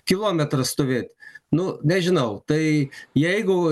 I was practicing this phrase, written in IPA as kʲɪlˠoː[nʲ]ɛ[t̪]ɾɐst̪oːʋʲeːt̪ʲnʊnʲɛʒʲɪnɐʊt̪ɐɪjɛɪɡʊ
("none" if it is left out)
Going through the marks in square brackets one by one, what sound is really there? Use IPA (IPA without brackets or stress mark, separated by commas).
mʲ, t̪